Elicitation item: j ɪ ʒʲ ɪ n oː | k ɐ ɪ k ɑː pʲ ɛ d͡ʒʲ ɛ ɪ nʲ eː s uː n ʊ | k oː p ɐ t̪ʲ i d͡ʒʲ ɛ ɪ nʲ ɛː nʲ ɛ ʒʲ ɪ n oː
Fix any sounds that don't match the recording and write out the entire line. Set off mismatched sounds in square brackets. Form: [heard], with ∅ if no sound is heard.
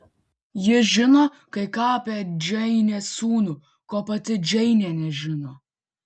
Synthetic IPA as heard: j ɪ ʒʲ ɪ n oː | k ɐ ɪ k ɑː pʲ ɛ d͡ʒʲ ɛ ɪ nʲ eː s uː n ʊ | k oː p ɐ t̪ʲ [ɪ] d͡ʒʲ ɛ ɪ nʲ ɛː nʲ ɛ ʒʲ ɪ n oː